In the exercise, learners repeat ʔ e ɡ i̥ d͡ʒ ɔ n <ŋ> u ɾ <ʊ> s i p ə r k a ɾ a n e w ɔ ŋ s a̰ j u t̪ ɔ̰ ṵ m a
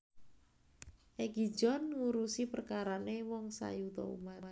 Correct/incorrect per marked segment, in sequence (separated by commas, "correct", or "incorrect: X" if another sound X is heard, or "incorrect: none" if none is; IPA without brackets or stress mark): correct, incorrect: u